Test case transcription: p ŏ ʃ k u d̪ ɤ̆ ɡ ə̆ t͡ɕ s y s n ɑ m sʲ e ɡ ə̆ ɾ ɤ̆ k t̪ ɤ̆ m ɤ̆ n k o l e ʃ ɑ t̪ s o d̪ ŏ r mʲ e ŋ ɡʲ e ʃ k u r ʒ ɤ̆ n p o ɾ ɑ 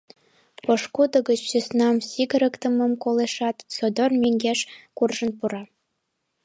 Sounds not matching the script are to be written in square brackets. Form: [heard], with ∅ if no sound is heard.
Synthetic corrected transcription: p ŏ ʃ k u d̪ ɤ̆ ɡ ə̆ t͡ɕ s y s n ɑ m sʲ [i] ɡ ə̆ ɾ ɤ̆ k t̪ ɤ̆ m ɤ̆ [m] k o l e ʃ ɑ t̪ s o d̪ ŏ r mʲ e ŋ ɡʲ e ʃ k u r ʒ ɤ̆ n p [u] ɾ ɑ